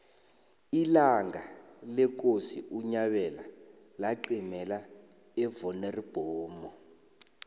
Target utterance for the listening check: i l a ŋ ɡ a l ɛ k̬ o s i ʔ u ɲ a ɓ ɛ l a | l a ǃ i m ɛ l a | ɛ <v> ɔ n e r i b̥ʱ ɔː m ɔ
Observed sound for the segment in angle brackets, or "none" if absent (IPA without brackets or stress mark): v